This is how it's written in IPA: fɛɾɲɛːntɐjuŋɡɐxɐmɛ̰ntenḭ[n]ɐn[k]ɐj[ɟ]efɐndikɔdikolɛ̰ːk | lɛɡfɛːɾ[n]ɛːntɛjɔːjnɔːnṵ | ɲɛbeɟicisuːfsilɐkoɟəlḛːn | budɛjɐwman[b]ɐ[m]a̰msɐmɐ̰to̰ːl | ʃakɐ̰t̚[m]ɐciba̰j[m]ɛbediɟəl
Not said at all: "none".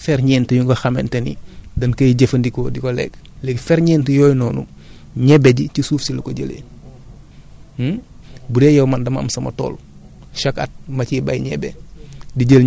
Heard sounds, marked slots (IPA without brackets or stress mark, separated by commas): d, k, ɟ, ɲ, d, m, m, ɲ